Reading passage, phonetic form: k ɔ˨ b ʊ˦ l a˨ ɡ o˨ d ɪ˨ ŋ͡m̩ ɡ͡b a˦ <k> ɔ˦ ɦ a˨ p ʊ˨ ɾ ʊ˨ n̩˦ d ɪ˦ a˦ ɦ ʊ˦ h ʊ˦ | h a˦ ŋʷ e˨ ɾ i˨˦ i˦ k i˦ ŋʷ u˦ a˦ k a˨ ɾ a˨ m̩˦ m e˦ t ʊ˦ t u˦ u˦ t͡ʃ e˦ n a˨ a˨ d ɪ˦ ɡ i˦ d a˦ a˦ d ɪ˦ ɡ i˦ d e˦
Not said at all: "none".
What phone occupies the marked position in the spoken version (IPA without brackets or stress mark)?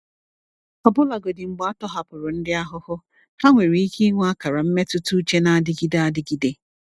t